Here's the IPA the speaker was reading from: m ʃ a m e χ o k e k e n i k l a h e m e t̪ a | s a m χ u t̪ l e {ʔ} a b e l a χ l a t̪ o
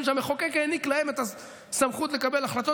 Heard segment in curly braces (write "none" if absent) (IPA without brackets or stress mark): k